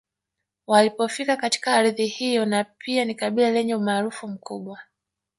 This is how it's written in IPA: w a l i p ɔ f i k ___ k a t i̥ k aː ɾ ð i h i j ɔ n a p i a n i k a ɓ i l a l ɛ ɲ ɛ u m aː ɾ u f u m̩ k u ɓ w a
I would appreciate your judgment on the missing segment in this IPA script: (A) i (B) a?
B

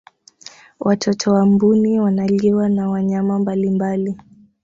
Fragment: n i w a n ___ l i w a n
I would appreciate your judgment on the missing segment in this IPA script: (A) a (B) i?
A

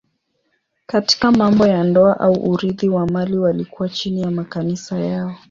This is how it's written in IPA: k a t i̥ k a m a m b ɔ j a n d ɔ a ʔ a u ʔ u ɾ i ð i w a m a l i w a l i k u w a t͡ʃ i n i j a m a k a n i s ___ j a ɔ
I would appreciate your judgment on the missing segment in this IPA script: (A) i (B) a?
B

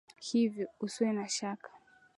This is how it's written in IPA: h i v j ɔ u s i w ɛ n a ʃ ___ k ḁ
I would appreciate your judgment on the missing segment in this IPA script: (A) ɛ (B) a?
B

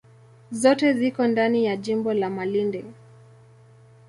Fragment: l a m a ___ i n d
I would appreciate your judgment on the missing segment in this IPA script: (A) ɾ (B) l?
B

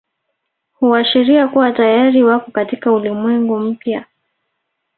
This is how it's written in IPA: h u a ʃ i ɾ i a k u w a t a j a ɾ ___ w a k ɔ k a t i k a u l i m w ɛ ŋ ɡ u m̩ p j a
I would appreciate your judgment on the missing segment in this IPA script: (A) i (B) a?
A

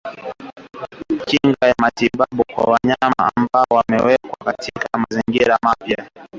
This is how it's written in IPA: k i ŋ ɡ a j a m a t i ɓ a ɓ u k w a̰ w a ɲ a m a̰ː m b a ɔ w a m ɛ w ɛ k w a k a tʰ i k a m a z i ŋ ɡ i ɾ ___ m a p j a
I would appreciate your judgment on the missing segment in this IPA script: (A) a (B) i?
A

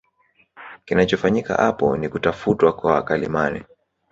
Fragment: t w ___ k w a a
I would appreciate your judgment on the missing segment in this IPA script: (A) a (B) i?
A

